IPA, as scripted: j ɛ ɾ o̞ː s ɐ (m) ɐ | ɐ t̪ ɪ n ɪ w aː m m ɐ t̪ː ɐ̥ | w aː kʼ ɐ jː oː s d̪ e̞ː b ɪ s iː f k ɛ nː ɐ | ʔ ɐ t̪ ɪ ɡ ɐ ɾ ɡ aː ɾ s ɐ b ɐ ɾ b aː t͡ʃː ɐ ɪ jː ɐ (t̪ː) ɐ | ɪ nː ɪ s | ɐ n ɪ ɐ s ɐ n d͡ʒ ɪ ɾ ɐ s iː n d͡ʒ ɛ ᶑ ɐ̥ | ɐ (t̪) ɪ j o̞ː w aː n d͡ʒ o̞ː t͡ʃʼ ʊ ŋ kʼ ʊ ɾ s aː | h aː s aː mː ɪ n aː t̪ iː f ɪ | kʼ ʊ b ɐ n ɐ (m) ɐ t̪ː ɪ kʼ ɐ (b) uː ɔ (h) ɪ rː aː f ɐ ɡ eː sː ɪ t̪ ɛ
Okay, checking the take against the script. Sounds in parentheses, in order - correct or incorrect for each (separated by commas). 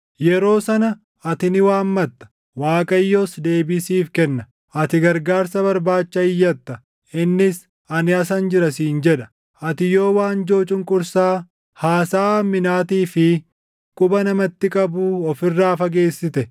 incorrect, correct, correct, correct, correct, incorrect